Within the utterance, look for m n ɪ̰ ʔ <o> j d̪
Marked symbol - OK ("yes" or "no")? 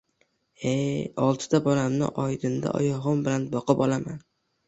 no